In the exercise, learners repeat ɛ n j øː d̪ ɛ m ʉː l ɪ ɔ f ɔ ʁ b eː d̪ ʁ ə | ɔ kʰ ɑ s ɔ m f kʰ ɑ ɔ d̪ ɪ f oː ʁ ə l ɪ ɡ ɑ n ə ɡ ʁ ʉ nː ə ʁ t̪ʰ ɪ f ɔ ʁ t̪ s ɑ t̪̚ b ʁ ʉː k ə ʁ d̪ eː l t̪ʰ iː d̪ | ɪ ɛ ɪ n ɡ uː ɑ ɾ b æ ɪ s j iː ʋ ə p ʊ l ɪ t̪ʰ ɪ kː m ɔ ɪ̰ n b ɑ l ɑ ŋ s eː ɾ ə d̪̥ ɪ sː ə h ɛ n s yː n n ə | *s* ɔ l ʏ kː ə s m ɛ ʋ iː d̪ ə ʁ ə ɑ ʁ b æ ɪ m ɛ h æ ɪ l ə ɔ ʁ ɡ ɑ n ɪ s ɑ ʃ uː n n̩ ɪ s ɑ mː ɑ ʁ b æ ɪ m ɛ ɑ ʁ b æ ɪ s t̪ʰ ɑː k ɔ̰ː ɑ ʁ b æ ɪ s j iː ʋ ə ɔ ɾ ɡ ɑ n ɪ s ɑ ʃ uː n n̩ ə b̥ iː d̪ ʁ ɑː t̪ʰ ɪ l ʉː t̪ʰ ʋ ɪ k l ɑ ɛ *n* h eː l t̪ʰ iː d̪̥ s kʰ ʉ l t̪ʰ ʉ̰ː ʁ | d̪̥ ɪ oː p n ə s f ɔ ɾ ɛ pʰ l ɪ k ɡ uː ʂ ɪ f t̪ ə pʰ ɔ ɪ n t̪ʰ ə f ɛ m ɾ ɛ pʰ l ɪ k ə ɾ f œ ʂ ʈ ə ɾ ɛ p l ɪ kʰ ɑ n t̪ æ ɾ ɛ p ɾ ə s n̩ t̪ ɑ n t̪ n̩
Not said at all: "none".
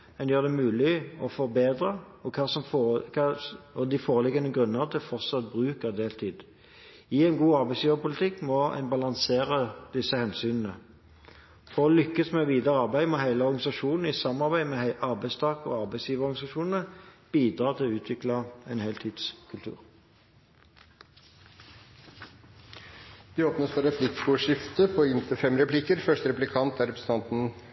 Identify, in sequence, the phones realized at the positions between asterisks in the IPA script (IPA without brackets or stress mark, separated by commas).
f, n